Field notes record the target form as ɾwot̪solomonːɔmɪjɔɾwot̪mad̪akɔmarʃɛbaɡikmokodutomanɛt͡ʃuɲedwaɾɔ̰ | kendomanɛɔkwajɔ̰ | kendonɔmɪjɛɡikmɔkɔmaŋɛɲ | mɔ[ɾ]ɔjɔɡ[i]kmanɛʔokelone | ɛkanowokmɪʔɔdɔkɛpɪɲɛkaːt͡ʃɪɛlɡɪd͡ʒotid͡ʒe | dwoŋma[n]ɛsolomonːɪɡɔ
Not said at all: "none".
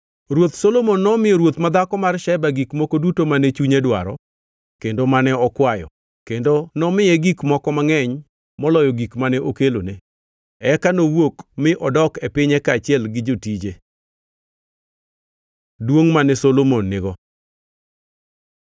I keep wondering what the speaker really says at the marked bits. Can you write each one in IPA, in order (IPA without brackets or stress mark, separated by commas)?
l, i, n